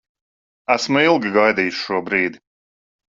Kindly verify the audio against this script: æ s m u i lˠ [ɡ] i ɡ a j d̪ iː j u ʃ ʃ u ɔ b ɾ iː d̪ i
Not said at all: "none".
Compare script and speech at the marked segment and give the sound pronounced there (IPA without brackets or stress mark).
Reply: ɡ